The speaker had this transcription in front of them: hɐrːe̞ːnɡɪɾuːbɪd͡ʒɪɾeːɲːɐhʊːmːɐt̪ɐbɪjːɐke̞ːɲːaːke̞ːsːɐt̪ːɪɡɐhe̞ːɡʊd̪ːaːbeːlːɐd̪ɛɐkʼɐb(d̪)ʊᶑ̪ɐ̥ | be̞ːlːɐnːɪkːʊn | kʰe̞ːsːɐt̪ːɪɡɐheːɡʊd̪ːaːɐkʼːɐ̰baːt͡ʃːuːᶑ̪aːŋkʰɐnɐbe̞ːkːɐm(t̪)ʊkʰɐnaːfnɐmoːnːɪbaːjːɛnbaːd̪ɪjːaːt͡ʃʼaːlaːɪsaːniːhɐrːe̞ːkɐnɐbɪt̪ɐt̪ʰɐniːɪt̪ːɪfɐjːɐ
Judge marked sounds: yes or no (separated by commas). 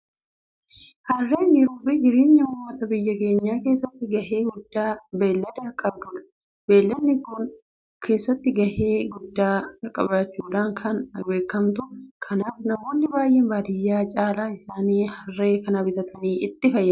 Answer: yes, yes